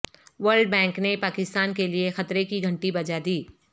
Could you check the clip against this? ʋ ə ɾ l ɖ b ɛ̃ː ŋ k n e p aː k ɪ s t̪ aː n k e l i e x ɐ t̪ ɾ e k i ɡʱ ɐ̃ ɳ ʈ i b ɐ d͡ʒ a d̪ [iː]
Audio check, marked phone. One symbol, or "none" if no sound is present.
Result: iː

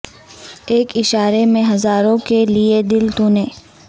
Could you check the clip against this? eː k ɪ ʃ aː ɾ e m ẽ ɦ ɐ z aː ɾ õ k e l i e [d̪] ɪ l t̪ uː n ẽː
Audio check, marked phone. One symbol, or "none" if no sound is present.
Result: d̪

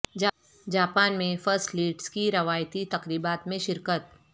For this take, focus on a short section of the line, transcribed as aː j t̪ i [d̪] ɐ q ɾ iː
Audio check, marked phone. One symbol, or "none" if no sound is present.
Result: t̪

